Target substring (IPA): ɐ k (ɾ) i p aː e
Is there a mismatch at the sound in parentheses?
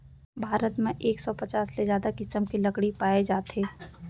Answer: yes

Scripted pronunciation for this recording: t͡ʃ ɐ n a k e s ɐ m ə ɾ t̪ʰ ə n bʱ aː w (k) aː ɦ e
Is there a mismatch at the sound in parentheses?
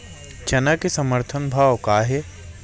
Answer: no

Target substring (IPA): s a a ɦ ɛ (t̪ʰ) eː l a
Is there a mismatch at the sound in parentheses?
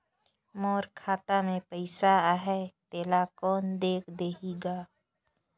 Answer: yes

